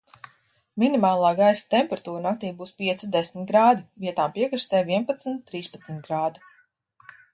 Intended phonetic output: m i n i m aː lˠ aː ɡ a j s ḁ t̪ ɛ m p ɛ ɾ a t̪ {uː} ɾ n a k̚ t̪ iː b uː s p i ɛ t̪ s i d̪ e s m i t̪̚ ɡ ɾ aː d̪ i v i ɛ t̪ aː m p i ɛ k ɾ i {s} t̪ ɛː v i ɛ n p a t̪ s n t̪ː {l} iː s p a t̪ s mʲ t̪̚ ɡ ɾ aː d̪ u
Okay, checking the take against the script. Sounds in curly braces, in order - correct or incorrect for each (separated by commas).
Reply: correct, correct, incorrect